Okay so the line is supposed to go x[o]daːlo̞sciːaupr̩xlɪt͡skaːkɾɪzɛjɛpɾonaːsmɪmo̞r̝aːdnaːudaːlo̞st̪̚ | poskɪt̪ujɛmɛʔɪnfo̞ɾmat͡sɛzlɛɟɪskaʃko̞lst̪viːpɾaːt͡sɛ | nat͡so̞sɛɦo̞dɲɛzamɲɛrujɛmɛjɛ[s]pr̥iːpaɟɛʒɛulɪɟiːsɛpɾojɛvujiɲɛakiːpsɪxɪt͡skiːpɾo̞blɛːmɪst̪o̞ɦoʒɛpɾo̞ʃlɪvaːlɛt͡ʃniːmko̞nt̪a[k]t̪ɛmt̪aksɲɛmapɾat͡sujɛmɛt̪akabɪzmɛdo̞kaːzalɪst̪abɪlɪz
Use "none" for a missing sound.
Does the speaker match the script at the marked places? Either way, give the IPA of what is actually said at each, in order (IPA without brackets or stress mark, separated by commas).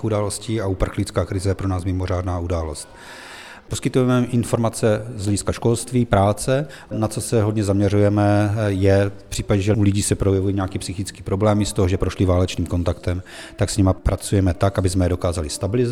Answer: u, f, k